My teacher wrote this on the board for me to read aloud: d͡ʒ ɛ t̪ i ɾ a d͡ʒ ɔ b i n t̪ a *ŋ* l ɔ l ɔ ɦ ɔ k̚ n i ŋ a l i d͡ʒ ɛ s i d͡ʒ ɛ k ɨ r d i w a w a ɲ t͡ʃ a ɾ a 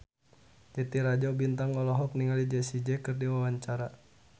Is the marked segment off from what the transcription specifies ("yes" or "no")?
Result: no